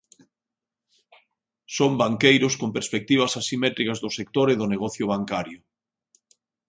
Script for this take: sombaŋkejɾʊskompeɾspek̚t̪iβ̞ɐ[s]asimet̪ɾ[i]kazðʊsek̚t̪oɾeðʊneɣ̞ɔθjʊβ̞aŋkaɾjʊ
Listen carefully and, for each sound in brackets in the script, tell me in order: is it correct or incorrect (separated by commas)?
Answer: correct, correct